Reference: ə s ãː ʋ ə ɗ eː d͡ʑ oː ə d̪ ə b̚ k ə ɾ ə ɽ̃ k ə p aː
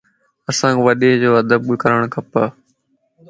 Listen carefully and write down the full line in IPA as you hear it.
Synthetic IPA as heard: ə s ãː ʋ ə ɗ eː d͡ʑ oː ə d̪ ə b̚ k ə ɾ ə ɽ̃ kʰ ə p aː